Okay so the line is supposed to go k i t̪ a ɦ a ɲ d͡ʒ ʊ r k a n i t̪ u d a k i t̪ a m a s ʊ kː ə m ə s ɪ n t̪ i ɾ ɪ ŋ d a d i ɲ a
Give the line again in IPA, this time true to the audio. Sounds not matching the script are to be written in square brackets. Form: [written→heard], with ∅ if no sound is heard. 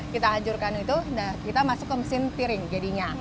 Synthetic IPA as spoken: k i t̪ a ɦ a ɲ d͡ʒ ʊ r k a n i t̪ u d a k i t̪ a m a s ʊ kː ə m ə s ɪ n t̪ i ɾ ɪ ŋ [d→d͡ʒ] a d i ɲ a